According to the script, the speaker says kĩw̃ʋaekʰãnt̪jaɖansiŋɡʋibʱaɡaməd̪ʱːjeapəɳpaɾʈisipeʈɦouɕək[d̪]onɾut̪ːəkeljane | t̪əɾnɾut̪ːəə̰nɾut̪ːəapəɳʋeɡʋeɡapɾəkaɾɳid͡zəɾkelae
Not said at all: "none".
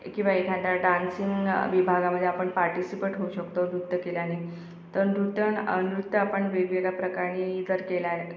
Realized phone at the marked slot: t̪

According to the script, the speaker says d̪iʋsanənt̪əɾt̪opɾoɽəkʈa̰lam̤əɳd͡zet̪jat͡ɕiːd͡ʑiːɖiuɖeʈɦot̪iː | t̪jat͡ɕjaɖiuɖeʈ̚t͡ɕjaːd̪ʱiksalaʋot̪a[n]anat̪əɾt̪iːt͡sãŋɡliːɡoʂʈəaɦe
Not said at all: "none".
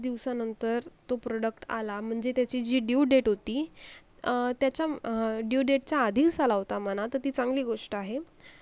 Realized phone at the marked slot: m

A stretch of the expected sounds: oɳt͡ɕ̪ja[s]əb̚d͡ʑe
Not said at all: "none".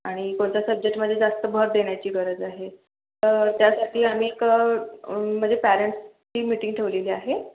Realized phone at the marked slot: s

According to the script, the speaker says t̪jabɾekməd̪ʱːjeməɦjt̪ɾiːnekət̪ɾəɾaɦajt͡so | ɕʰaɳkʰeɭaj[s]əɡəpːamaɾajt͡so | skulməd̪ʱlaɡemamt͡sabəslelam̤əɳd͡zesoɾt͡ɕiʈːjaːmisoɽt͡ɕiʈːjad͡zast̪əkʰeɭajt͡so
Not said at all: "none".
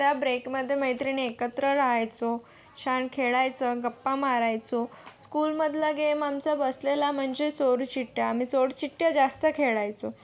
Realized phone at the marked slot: t͡s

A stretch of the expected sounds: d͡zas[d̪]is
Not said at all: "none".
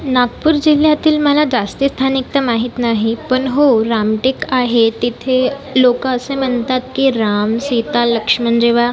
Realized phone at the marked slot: t̪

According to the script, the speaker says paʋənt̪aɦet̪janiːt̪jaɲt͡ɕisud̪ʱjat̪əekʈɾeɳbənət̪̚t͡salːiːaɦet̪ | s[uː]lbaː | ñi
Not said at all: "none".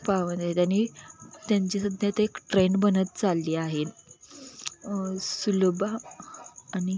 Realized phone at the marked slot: u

